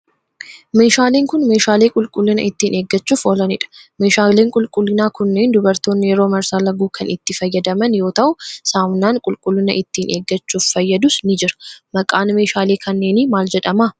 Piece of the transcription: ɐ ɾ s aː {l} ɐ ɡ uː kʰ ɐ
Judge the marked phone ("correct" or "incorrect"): correct